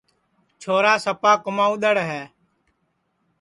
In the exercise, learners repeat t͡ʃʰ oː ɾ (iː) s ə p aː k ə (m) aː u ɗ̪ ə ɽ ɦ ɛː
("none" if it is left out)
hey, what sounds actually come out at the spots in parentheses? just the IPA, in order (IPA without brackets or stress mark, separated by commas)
aː, m